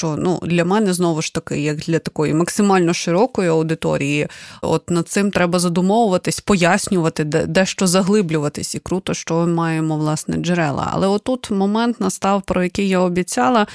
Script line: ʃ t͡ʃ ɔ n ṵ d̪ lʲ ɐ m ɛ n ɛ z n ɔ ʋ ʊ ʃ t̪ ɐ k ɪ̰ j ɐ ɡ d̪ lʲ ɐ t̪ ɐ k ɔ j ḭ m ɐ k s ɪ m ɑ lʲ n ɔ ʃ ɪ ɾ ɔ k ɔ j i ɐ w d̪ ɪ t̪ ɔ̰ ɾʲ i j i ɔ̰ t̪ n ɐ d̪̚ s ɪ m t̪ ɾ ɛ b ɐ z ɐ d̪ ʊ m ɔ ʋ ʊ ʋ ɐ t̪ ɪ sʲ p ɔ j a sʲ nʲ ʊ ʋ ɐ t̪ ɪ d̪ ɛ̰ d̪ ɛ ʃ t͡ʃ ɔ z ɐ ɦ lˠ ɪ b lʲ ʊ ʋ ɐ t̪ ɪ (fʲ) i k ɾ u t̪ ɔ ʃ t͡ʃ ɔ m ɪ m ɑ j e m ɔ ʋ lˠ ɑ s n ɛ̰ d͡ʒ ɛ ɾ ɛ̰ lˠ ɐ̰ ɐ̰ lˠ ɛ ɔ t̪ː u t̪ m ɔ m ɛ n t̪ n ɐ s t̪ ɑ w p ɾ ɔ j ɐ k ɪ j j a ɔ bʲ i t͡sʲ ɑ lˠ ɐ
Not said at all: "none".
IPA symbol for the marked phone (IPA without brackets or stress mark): sʲ